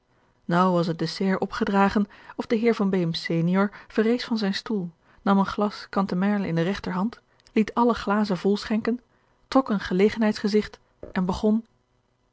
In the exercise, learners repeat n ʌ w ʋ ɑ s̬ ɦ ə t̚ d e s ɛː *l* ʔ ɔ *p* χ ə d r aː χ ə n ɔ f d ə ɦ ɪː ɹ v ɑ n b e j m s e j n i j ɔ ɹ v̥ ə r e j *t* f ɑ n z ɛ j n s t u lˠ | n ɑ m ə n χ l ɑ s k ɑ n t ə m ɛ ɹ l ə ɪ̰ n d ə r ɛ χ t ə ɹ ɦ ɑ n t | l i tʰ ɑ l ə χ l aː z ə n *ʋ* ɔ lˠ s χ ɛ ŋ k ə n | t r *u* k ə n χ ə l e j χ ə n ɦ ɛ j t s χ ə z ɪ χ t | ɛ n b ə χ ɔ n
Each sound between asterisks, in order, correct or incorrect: incorrect, correct, incorrect, incorrect, incorrect

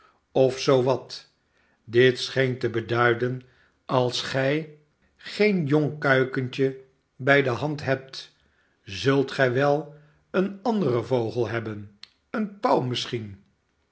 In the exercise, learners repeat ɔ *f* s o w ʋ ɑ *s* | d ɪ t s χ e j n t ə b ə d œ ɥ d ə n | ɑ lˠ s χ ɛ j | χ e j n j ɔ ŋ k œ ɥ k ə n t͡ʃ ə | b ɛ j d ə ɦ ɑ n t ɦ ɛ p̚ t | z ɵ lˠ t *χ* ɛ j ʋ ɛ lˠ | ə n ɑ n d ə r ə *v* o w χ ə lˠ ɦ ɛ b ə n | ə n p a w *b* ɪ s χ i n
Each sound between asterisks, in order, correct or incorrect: correct, incorrect, correct, correct, incorrect

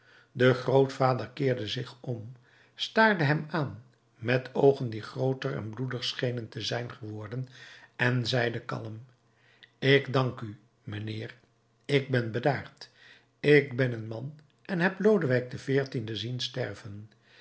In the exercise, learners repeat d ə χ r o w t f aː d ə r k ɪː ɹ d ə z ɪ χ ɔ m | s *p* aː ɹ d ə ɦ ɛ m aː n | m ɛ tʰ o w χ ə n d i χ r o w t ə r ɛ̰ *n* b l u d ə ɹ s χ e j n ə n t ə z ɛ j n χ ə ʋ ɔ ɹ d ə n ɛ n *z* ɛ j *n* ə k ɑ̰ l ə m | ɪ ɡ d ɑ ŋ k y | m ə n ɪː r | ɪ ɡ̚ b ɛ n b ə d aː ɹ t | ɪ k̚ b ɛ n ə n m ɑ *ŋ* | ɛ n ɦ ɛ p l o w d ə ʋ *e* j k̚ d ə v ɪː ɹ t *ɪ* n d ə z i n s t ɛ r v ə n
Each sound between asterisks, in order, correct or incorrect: incorrect, correct, correct, incorrect, incorrect, incorrect, incorrect

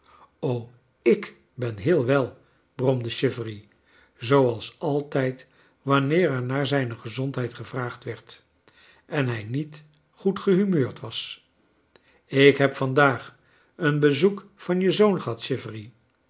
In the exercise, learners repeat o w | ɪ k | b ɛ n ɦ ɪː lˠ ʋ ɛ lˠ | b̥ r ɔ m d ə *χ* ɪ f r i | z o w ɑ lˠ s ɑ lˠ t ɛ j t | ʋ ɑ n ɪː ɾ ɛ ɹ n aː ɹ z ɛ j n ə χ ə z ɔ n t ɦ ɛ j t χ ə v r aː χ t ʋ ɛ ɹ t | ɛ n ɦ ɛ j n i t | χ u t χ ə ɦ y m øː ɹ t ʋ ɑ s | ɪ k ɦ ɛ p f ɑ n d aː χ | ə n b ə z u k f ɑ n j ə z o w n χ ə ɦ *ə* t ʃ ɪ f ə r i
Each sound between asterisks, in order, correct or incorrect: incorrect, incorrect

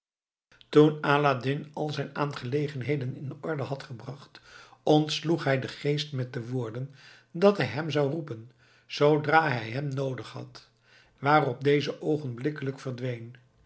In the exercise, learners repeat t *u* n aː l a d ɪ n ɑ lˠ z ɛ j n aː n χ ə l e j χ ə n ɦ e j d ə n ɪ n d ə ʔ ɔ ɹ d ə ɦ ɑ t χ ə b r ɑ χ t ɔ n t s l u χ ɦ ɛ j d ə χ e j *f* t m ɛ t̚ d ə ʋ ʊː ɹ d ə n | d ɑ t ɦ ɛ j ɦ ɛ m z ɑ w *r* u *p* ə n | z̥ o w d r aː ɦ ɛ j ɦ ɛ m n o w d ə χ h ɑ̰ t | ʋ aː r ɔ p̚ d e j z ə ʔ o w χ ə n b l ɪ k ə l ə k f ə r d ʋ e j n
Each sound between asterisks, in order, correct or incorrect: correct, incorrect, correct, correct

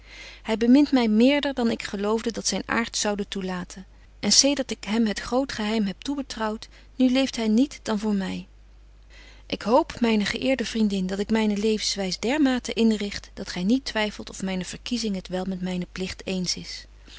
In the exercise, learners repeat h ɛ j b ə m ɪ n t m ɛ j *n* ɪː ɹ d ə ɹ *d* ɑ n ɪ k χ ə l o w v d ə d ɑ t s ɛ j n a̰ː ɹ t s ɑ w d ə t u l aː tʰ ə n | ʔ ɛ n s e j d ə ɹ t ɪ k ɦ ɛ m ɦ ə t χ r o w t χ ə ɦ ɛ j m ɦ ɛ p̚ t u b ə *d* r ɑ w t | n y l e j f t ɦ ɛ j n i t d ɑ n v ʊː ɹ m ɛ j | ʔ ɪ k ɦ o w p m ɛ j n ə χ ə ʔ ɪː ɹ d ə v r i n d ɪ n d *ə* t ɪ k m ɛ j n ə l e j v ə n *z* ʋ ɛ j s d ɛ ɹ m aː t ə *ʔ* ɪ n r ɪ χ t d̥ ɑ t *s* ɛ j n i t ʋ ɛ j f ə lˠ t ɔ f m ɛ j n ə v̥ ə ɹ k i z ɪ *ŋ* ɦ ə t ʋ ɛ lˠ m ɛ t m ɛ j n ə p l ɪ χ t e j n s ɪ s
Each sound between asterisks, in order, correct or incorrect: incorrect, correct, incorrect, incorrect, incorrect, correct, incorrect, correct

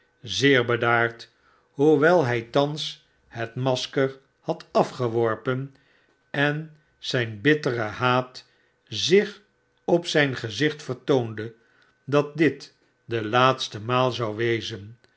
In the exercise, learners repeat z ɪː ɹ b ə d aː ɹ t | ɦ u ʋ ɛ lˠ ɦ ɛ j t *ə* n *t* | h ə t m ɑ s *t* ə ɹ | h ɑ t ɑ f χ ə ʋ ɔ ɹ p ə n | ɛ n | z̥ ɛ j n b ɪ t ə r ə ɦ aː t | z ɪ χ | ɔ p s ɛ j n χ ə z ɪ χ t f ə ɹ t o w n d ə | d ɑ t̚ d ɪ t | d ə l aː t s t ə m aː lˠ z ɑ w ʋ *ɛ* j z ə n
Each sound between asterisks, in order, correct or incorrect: incorrect, incorrect, incorrect, incorrect

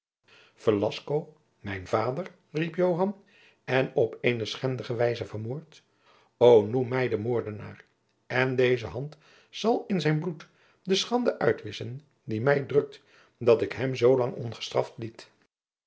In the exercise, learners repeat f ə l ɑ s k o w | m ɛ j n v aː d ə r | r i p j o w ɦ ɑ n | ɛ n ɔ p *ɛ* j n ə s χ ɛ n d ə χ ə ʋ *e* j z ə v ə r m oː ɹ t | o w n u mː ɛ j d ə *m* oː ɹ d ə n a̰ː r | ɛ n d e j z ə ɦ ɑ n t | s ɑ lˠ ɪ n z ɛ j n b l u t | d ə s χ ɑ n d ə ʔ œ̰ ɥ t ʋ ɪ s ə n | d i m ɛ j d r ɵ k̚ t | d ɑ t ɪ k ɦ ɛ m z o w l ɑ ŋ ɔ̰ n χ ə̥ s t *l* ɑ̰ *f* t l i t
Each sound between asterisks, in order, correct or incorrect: incorrect, incorrect, correct, incorrect, correct

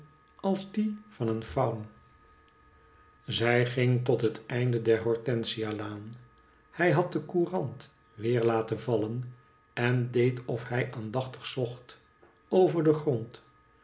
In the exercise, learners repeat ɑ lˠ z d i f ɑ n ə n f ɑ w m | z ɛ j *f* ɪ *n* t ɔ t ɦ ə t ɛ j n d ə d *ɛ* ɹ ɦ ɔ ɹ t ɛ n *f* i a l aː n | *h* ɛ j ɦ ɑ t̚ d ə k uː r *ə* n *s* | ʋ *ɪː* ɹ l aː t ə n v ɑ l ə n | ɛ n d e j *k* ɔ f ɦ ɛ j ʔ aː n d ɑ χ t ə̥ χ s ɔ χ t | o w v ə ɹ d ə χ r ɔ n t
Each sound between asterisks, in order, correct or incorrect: incorrect, incorrect, correct, incorrect, correct, incorrect, incorrect, correct, incorrect

